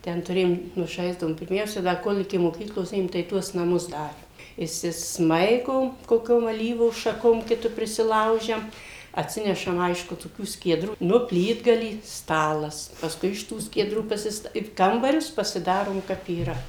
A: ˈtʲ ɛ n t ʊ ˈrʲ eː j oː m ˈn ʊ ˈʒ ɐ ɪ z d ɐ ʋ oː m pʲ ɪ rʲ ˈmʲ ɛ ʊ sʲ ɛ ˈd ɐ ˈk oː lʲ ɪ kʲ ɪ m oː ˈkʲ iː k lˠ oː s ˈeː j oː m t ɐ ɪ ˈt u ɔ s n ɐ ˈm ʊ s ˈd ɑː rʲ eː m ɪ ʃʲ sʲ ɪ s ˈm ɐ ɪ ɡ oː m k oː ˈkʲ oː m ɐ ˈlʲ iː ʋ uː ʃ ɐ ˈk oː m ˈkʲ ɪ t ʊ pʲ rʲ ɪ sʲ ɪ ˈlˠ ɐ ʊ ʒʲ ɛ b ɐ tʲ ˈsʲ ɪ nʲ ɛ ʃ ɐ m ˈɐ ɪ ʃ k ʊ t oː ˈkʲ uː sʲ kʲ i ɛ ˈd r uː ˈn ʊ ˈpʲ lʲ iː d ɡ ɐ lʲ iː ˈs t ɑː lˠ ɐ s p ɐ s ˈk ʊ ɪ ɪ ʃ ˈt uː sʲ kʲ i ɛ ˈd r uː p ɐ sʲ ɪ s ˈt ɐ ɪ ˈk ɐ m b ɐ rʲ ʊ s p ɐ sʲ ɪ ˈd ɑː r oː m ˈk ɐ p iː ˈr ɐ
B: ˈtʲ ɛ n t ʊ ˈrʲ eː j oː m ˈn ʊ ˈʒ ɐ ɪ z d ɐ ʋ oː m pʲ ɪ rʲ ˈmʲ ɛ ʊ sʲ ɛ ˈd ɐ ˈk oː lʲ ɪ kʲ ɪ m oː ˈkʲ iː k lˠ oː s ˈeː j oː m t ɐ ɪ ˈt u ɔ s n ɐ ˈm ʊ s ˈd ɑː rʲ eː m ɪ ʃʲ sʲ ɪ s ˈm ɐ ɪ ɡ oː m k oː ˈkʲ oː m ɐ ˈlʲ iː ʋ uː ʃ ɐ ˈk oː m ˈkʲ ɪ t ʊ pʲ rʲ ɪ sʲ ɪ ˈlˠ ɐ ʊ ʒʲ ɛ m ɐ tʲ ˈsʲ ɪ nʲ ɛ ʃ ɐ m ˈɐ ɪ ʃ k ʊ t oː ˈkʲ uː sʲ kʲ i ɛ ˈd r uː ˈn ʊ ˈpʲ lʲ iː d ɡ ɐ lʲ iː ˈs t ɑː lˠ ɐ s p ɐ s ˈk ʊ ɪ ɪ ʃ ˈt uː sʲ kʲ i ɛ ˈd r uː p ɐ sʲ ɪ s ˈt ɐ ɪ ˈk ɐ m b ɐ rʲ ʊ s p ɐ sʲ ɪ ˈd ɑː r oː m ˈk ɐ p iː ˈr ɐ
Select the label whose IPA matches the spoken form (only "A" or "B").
B